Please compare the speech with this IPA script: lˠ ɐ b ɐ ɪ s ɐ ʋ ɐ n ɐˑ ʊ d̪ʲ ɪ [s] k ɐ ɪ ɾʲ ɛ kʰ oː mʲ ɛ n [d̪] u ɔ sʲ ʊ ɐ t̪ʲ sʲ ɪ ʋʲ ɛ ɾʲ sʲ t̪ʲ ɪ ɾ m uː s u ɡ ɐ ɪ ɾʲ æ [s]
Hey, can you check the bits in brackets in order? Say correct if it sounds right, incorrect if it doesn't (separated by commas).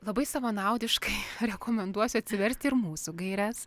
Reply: incorrect, correct, correct